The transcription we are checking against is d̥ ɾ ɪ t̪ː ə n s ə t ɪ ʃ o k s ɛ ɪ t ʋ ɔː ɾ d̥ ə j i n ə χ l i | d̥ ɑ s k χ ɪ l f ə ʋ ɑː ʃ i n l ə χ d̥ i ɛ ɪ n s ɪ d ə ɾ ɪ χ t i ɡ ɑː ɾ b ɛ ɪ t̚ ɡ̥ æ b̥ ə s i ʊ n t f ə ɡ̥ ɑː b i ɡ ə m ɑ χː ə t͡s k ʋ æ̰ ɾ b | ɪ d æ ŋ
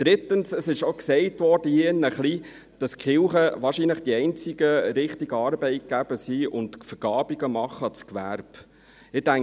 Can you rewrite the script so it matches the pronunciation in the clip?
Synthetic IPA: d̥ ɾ ɪ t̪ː ə n s ə s ɪ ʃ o k s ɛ ɪ t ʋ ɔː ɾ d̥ ə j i n ə χ l i | d̥ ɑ s k χ ɪ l χ ə ʋ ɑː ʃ i n l ə χ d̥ i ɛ ɪ n t͡s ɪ ɡ ə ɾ ɪ χ t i ɡ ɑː ɾ b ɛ ɪ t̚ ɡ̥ æ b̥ ə s i ʊ n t f ə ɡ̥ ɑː b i ɡ ə m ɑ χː ə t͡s k ʋ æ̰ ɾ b | ɪ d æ ŋ